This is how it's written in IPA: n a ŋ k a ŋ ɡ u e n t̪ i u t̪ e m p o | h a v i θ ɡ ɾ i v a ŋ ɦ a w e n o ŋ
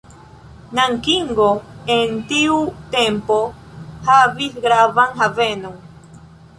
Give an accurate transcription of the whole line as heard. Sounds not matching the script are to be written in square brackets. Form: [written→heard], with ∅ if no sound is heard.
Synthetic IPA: n a ŋ k [a→i] ŋ ɡ [u→o] e n t̪ i u t̪ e m p o | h a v i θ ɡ ɾ [i→a] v a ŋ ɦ a [w→v] e n o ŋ